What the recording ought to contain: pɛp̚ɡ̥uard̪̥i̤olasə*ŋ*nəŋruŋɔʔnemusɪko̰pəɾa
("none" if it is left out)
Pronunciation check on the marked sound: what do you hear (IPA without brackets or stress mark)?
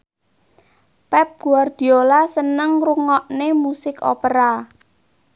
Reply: none